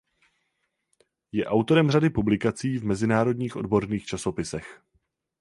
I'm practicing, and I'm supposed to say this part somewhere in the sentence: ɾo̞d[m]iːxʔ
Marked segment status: incorrect: ɲ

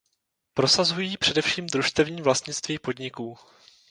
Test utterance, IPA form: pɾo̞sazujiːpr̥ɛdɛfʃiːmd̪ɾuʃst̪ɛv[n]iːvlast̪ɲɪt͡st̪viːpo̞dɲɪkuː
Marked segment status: incorrect: ɲ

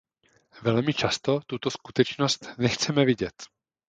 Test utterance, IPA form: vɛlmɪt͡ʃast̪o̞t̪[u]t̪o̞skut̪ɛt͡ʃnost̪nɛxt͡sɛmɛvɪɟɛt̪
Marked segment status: correct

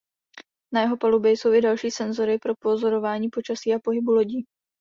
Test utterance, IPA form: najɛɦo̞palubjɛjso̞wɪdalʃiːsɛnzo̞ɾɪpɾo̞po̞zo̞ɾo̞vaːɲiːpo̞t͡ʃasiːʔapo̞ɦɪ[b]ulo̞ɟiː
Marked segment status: correct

